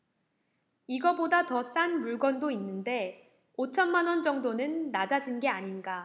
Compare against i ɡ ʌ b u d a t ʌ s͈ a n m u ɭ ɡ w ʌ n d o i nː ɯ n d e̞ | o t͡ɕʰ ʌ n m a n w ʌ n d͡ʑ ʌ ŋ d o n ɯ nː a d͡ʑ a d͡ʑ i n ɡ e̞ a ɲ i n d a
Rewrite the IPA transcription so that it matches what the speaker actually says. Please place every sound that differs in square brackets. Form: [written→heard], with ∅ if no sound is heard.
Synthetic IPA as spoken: i ɡ ʌ b [u→o] d a t ʌ s͈ a n m u ɭ ɡ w ʌ n d o i nː ɯ n d e̞ | o t͡ɕʰ ʌ n m a n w ʌ n d͡ʑ ʌ ŋ d o n ɯ nː a d͡ʑ a d͡ʑ i n ɡ e̞ a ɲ i n [d→ɡ] a